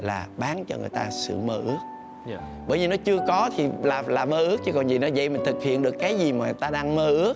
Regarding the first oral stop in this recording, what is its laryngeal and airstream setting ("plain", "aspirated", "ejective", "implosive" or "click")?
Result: implosive